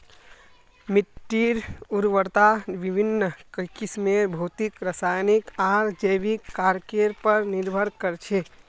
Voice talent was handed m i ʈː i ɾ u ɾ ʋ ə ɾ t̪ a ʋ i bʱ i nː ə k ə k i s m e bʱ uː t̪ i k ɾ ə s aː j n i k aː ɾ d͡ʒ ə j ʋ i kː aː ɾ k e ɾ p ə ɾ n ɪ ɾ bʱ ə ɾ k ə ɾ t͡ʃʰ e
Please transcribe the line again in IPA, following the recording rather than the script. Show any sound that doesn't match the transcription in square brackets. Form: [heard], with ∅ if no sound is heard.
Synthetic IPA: m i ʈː i ɾ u ɾ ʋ ə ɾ t̪ a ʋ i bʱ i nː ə k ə k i s m e bʱ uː t̪ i k ɾ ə s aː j n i k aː ɾ d͡ʒ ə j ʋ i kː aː ɾ k e ɾ p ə ɾ n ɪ ɾ bʱ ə ɾ k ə ɾ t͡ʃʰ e